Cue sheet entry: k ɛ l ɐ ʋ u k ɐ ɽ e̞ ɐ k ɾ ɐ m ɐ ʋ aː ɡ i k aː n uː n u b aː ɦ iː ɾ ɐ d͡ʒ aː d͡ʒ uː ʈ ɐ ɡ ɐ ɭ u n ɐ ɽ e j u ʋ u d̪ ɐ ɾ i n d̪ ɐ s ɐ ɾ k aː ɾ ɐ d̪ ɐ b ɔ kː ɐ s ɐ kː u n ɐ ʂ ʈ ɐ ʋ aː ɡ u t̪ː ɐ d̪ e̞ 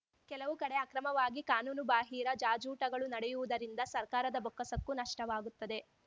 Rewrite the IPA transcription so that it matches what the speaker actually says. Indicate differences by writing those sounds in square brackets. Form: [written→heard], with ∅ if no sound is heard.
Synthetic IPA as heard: k ɛ l ɐ ʋ u k ɐ ɽ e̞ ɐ k ɾ ɐ m ɐ ʋ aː ɡ i k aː n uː n u b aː ɦ iː ɾ ɐ d͡ʒ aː d͡ʒ uː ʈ ɐ ɡ ɐ ɭ u n ɐ ɽ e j u ʋ u d̪ ɐ ɾ i n d̪ ɐ s ɐ ɾ k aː ɾ ɐ d̪ ɐ b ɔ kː ɐ s ɐ kː u n ɐ ʂ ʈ ɐ ʋ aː ɡ u t̪ː ɐ d̪ e̞